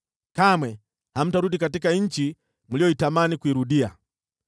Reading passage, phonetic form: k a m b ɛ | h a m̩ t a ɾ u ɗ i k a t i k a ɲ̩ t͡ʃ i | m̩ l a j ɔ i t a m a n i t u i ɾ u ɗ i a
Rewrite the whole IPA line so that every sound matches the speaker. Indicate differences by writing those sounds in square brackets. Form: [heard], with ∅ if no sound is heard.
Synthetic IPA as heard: k a m [w] ɛ | h a m̩ t a ɾ u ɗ i k a t i k a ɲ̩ t͡ʃ i | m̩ l [i] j ɔ i t a m a n i [k] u i ɾ u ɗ i a